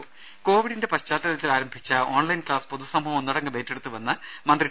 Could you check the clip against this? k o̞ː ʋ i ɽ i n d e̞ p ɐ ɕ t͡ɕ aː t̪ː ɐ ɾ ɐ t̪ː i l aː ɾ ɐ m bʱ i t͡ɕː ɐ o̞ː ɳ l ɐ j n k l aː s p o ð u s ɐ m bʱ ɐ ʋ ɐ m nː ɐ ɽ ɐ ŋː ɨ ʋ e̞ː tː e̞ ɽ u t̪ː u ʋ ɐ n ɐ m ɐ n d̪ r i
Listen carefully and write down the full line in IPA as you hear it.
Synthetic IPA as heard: k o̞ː ʋ i ɽ i n d e̞ p ɐ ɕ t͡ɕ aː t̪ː ɐ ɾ ɐ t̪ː i l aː ɾ ɐ m bʱ i t͡ɕː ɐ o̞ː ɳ l ɐ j n k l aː s p o ð u s ɐ m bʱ ɐ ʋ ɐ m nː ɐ ɽ ɐ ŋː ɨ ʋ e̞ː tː e̞ ɽ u t̪ː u ʋ ɐ nː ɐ m ɐ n d̪ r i

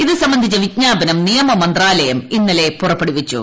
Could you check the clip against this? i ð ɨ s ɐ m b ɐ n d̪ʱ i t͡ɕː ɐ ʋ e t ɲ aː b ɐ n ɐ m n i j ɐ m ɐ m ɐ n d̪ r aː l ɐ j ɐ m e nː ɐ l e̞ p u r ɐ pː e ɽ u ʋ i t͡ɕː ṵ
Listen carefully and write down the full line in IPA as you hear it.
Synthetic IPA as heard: i ð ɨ s ɐ m b ɐ n d̪ʱ i t͡ɕː ɐ ʋ i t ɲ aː b ɐ n ɐ m n i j ɐ m ɐ m ɐ n d̪ r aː l ɐ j ɐ m i nː ɐ l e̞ p u r ɐ pː e ɽ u ʋ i t͡ɕː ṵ

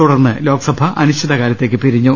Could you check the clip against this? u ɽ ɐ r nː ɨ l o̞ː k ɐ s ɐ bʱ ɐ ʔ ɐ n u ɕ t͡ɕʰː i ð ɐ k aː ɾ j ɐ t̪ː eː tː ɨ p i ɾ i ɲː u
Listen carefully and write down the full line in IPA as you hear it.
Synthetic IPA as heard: u ɽ ɐ r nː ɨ l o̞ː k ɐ s ɐ bʱ ɐ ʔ ɐ n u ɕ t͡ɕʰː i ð ɐ k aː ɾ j ɐ t̪ː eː kː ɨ p i ɾ i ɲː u

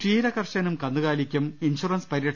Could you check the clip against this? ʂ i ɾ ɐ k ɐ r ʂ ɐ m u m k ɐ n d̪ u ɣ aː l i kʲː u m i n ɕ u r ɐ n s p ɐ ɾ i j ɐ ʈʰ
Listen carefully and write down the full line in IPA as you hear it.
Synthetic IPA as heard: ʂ iː ɾ ɐ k ɐ r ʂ ɐ n u m k ɐ n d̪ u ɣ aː l i kʲː u m i n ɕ u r ɐ n s p ɐ ɾ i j ɐ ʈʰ

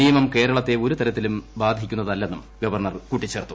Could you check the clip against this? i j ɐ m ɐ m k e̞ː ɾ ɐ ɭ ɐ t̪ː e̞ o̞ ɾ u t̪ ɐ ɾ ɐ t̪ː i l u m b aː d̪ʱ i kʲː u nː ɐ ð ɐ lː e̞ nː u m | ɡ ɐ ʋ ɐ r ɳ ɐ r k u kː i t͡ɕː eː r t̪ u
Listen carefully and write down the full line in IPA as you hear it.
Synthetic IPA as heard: i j ɐ m ɐ m k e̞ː ɾ ɐ ɭ ɐ t̪ː e̞ o̞ ɾ u t̪ ɐ ɾ ɐ t̪ː i l u m b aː d̪ʱ i kʲː u nː ɐ ð ɐ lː e̞ nː u m | ɡ ɐ ʋ ɐ r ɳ ɐ r k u ʈː i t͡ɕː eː r t̪ u

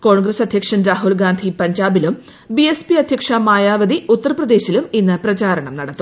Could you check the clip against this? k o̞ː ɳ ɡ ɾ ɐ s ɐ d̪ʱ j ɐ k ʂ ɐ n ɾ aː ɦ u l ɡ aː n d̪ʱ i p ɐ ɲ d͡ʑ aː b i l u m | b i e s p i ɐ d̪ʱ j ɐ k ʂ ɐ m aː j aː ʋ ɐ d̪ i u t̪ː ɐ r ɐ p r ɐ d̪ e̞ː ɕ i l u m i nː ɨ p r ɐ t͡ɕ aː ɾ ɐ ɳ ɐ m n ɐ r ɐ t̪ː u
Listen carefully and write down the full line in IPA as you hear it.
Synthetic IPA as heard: k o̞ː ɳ ɡ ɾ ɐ s ɐ d̪ʱ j ɐ k ʂ ɐ n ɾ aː ɦ u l ɡ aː n d̪ʱ i p ɐ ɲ d͡ʑ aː b i l u m | b i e s p i ɐ d̪ʱ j ɐ k ʂ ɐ m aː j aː ʋ ɐ d̪ i u t̪ː ɐ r ɐ p r ɐ d̪ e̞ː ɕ i l u m i nː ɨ p r ɐ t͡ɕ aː ɾ ɐ ɳ ɐ m n ɐ ɽ ɐ t̪ː u

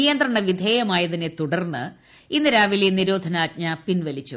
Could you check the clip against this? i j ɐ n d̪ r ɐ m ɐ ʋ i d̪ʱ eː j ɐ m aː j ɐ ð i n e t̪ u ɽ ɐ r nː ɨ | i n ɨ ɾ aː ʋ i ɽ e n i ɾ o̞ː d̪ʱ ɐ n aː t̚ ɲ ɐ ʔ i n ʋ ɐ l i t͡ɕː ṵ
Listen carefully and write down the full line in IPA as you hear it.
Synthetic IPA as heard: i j ɐ n d̪ r ɐ ɳ ɐ ʋ i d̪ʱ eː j ɐ m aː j ɐ ð i n e t̪ u ɽ ɐ r nː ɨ | i nː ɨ ɾ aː ʋ i l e n i ɾ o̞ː d̪ʱ ɐ n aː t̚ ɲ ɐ p i n ʋ ɐ l i t͡ɕː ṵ

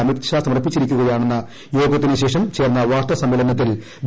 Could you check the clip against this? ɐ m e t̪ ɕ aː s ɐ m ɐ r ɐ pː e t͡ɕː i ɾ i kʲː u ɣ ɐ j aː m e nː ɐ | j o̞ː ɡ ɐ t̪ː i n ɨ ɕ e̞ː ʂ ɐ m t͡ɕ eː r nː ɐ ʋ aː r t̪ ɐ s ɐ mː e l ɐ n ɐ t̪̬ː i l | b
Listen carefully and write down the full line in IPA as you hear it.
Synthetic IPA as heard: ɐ m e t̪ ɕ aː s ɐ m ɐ r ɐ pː i t͡ɕː i ɾ i kʲː u ɣ ɐ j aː ɳ e nː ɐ | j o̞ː ɡ ɐ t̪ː i n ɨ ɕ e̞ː ʂ ɐ m t͡ɕ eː r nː ɐ ʋ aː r t̪ ɐ s ɐ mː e l ɐ n ɐ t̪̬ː i l | b

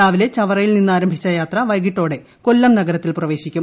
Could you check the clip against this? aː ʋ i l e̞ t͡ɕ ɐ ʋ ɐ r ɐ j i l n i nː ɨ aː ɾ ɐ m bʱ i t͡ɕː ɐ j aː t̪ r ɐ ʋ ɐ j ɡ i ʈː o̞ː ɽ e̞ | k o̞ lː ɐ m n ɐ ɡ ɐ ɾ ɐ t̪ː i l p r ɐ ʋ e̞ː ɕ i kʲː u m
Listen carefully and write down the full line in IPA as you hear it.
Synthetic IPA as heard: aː ʋ i l e̞ t͡ɕ ɐ ʋ ɐ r ɐ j i l n i nː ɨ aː ɾ ɐ m bʱ i t͡ɕː ɐ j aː t̪ r ɐ ʋ ɐ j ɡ i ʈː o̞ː ɽ e̞ | k o̞ lː ɐ m n ɐ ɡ ɐ ɾ ɐ t̪ː i l p r ɐ ʋ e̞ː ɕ i kʲː u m

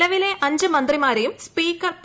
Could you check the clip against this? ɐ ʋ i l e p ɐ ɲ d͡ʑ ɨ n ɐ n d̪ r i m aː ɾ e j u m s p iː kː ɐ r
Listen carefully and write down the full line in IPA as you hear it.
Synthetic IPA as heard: ɐ ʋ i l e ʔ ɐ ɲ d͡ʑ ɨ m ɐ n d̪ r i m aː ɾ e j u m s p iː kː ɐ r

